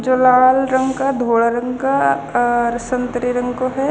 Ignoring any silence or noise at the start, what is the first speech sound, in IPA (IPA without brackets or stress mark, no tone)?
d͡ʒ